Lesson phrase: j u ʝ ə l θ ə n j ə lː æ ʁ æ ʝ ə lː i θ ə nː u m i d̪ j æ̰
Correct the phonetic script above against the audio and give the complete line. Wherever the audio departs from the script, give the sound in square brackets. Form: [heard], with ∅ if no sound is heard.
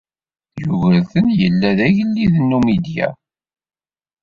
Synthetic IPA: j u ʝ ə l θ ə n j ə lː æ [ð] æ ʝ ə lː i [ð] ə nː u m i d̪ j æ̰